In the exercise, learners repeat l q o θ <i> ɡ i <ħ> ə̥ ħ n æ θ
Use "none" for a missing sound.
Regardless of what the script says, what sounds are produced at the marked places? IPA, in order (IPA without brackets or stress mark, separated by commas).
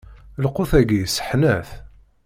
æ, s